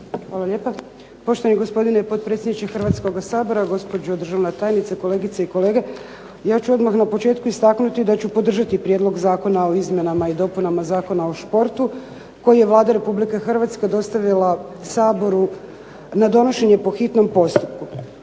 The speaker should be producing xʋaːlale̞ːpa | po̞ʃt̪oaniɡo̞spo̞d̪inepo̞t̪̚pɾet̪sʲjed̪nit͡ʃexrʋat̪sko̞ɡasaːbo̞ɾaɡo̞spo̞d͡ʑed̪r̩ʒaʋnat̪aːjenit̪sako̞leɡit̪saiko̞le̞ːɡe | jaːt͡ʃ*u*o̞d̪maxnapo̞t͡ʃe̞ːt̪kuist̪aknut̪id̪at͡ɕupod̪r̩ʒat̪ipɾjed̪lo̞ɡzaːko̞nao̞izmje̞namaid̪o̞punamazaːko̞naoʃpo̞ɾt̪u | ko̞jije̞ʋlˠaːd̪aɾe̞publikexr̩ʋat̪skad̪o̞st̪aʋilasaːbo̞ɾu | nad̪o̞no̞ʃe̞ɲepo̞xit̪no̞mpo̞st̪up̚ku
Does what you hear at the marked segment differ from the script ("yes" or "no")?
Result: no